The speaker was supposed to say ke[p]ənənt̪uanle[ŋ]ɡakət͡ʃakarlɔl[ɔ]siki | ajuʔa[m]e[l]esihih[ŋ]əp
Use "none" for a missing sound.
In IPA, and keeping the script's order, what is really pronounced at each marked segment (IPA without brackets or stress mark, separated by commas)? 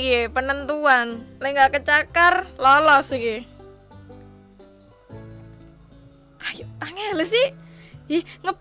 p, ŋ, ɔ, ŋ, l, ŋ